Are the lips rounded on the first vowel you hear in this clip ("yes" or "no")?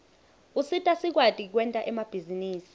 yes